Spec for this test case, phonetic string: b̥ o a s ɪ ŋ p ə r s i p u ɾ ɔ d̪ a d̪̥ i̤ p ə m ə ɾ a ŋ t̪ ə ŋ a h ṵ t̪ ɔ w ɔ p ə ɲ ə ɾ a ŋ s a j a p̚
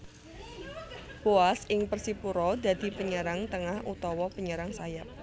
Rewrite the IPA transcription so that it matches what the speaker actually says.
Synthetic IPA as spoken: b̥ o a s ɪ ŋ p ə r s i p u ɾ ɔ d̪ a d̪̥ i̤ p ə ɲ ə ɾ a ŋ t̪ ə ŋ a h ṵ t̪ ɔ w ɔ p ə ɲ ə ɾ a ŋ s a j a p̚